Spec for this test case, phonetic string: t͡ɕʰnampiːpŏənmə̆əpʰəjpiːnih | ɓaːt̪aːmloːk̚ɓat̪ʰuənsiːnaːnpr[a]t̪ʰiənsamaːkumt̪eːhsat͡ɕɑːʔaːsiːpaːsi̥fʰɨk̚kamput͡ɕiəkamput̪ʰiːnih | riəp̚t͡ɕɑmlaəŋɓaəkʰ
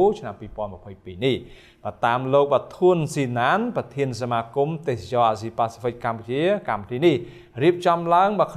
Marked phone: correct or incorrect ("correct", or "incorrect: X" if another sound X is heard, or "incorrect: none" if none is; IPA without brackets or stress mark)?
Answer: incorrect: ɑ